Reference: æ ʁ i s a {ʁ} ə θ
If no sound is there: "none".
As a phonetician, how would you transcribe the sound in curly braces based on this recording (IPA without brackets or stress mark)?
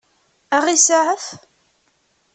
ʕ